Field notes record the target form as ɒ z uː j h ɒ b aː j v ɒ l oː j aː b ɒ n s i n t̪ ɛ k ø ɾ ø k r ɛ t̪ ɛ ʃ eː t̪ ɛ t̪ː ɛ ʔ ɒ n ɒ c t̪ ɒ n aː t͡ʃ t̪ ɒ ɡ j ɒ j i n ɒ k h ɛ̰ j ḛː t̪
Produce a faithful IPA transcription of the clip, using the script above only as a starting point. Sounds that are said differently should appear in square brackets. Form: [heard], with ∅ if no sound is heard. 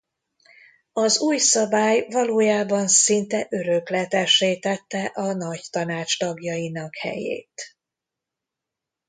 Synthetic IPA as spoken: ɒ z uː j [s] ɒ b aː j v ɒ l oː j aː b ɒ n s i n t̪ ɛ [ʔ] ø ɾ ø k [l] ɛ t̪ ɛ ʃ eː t̪ ɛ t̪ː ɛ ʔ ɒ n ɒ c t̪ ɒ n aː t͡ʃ t̪ ɒ ɡ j ɒ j i n ɒ k h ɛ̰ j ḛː t̪